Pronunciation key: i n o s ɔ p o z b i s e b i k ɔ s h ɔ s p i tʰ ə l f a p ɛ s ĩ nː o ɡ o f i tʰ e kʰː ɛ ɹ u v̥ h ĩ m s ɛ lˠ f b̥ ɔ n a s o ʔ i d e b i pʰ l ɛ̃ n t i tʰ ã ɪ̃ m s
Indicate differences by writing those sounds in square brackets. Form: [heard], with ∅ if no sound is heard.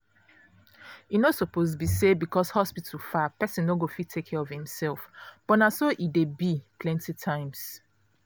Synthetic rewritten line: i n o s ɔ p o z b i s e b i k ɔ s h ɔ s p i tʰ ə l f a p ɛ s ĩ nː o ɡ o f i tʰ e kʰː ɛ ɹ [ɔ] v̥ h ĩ m s ɛ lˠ f b̥ ɔ n a s o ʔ i d e b i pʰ l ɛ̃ n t i tʰ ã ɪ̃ m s